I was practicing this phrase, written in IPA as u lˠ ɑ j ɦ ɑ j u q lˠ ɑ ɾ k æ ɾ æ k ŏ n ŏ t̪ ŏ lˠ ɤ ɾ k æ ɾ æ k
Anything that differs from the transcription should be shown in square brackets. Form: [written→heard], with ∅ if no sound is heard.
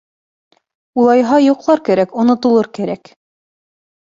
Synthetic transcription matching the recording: u lˠ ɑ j ɦ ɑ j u q lˠ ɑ ɾ k æ ɾ æ k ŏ n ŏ t̪ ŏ lˠ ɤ ɾ k æ ɾ æ k